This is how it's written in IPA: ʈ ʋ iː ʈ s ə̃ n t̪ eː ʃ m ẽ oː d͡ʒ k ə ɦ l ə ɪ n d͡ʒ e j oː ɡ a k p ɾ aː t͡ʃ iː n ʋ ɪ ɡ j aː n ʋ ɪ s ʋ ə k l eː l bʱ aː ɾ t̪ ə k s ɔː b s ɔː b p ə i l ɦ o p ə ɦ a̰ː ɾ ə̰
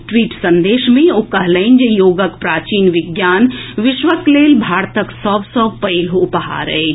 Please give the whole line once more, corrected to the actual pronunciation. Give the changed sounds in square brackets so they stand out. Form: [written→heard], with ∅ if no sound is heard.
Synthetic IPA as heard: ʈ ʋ iː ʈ s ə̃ n [t̪→d̪] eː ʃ m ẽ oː [d͡ʒ→∅] k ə ɦ l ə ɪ n d͡ʒ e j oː ɡ [a→ə] k p ɾ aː t͡ʃ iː n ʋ ɪ ɡ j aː n ʋ ɪ [s→ʃ] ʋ ə k l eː l bʱ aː ɾ t̪ ə k s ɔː b s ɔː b p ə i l ɦ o p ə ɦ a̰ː ɾ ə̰